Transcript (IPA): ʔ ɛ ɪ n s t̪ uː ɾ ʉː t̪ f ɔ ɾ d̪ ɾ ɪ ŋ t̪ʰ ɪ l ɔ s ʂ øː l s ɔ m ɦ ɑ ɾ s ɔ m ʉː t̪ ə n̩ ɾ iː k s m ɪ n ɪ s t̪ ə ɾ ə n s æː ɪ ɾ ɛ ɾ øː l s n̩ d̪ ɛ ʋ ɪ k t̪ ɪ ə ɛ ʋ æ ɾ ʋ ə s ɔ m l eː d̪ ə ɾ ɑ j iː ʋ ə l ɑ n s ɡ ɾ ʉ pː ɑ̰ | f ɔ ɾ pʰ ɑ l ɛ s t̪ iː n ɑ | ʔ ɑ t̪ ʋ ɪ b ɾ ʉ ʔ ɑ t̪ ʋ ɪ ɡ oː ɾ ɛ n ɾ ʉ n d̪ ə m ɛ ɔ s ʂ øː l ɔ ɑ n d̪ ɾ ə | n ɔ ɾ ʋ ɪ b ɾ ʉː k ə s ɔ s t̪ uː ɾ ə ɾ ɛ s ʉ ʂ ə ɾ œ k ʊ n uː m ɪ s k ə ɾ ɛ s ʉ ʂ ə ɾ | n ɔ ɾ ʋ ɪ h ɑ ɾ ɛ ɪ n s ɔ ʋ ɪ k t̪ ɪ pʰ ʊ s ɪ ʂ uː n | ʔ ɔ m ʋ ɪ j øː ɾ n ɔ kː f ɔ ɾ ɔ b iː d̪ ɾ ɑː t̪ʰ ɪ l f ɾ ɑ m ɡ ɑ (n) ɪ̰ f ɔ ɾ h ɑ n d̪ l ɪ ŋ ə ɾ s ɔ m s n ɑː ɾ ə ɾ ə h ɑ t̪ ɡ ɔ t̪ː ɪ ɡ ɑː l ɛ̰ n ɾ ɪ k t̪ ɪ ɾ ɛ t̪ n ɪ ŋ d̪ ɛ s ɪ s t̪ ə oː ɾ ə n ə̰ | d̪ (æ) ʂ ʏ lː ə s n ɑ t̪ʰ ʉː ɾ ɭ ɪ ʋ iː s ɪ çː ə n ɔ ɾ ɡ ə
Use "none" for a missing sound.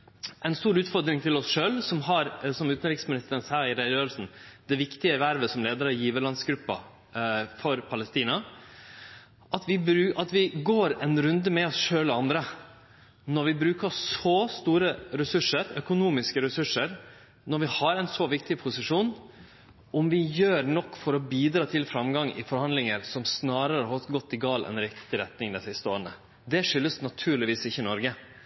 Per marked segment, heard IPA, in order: ŋ, ɛ

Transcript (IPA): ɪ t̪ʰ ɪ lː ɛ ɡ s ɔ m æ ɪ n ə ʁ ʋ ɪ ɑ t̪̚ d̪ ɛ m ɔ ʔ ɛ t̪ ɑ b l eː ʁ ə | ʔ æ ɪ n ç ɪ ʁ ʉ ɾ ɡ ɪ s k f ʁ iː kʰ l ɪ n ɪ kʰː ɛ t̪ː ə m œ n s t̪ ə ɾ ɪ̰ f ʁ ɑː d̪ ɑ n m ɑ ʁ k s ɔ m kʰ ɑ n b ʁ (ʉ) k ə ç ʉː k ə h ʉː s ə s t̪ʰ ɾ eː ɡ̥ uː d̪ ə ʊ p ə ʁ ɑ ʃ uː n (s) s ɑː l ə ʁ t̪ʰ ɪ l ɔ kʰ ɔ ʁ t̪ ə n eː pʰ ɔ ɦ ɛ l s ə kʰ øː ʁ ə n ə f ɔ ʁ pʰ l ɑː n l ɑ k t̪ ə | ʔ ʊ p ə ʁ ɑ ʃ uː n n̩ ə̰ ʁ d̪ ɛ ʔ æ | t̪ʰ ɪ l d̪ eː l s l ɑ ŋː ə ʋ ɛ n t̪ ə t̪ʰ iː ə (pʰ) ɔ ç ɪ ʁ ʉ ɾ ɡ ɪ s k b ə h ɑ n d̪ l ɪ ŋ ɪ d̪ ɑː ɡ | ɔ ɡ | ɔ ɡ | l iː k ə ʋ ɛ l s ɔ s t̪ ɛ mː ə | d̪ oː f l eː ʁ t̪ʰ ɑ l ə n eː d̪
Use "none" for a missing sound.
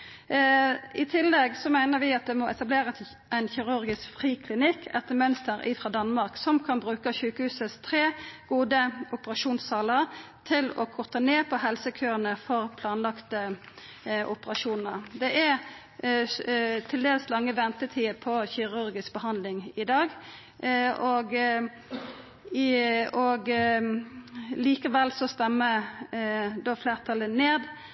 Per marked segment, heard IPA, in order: ʉː, s, pʰ

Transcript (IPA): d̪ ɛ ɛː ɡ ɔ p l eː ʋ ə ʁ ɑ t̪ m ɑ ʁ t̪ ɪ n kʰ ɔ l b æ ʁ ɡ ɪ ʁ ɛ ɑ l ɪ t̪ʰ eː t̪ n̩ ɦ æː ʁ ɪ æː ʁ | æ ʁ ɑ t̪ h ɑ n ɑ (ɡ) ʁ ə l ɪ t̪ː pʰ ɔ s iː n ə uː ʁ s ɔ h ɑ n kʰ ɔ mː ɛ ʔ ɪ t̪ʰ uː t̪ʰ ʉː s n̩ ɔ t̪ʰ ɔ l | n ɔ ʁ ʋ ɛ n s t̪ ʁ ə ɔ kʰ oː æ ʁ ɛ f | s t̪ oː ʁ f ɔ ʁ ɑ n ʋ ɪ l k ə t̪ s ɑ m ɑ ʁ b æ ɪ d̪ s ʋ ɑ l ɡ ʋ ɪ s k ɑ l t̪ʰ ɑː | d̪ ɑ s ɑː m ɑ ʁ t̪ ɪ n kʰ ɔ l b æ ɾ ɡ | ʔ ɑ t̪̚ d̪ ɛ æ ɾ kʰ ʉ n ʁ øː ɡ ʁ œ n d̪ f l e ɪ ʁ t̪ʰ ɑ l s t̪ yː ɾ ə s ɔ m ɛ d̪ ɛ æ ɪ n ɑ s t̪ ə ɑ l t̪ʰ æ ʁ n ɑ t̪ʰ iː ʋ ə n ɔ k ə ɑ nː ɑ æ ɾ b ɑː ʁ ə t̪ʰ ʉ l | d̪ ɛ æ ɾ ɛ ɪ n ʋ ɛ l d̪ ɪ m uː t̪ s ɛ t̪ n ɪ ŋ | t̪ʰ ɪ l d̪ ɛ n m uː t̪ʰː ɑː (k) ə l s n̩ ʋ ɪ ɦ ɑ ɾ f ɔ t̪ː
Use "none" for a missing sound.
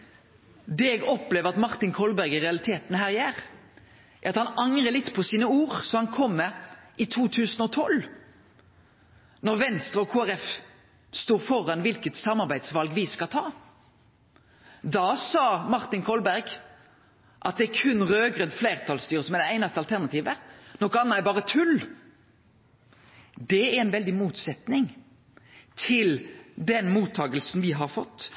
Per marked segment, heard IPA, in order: ŋ, ɡ

